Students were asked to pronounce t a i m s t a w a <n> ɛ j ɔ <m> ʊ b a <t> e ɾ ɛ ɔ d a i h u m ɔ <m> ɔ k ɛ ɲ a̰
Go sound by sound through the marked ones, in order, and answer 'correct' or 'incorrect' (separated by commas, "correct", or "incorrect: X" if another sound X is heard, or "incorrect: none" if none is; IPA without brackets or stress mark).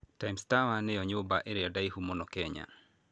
correct, incorrect: ɲ, incorrect: ʔ, incorrect: n